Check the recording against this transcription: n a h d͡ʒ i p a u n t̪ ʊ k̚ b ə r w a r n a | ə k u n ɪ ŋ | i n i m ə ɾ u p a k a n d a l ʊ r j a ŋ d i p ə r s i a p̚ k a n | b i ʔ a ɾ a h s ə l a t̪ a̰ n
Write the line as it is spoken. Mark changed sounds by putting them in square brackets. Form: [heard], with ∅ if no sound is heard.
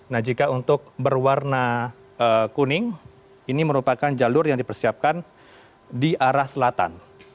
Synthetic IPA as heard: n a h d͡ʒ i [k] a u n t̪ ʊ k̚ b ə r w a r n a | ə k u n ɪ ŋ | i n i m ə ɾ u p a k a n [d͡ʒ] a l ʊ r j a ŋ d i p ə r s i a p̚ k a n | [d] i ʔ a ɾ a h s ə l a t̪ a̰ n